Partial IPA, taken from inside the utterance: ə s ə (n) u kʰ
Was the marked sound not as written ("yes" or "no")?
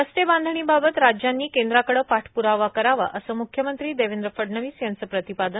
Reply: yes